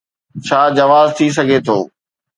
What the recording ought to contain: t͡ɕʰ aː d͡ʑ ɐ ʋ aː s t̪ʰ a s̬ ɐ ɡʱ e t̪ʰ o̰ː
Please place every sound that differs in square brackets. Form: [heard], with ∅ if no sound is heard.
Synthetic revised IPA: t͡ɕʰ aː d͡ʑ ɐ ʋ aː [z] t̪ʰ [i] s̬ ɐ ɡʱ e t̪ʰ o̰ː